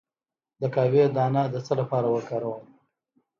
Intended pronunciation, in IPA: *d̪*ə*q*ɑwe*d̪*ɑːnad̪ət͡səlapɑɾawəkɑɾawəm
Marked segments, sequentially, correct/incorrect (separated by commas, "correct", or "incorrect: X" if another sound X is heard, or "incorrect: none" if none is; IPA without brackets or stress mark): correct, incorrect: k, correct